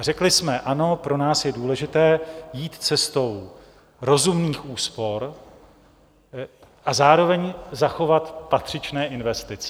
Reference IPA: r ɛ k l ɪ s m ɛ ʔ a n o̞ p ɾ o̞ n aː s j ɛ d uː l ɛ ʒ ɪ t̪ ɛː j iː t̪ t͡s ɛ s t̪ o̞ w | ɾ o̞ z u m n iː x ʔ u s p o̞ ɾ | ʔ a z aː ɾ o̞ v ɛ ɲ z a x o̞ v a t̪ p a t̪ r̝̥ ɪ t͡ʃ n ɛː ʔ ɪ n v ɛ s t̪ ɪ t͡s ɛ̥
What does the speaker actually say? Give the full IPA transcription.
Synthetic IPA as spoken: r ɛ k l ɪ s m ɛ ʔ a n o̞ p ɾ o̞ n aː s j ɛ d uː l ɛ ʒ ɪ t̪ ɛː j iː t̪ t͡s ɛ s t̪ o̞ w | ɾ o̞ z u m n iː x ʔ uː s p o̞ ɾ | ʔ a z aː ɾ o̞ v ɛ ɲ z a x o̞ v a t̪ p a t̪ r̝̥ ɪ t͡ʃ n ɛː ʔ ɪ n v ɛ s t̪ ɪ t͡s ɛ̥